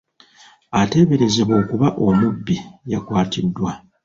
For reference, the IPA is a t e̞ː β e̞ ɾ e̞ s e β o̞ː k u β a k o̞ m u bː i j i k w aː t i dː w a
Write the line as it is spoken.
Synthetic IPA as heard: a t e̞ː β e̞ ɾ e̞ z e β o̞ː k u β a ʔ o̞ m u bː i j a k w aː t i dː w a